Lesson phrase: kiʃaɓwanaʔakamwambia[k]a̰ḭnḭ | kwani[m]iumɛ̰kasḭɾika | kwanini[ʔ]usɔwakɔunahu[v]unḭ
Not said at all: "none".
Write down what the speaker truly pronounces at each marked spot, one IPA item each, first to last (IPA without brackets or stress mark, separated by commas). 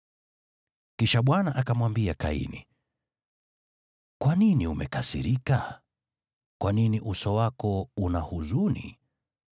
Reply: k, n, ʔ, z